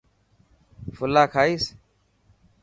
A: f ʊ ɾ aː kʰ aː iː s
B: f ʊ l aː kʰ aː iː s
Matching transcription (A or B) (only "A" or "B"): B